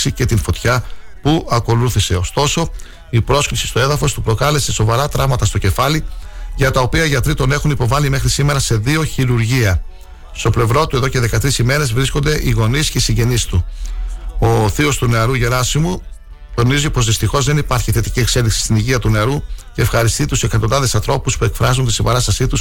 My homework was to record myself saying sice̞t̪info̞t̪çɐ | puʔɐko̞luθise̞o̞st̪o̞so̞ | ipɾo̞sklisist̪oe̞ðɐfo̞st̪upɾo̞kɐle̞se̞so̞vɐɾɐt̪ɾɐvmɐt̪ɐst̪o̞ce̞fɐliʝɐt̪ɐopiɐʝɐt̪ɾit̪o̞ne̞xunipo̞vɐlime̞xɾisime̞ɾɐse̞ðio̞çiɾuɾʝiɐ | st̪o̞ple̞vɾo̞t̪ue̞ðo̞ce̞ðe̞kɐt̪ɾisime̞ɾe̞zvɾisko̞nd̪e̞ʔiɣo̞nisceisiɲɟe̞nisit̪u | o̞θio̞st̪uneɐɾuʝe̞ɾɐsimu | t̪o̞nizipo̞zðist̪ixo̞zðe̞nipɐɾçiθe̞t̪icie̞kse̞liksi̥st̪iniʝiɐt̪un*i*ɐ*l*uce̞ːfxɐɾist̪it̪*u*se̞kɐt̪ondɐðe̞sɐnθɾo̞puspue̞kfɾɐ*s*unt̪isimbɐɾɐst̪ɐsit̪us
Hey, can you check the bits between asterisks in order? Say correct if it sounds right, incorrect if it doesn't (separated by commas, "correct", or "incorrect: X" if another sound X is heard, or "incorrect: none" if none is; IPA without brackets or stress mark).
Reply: incorrect: e, incorrect: ɾ, correct, incorrect: z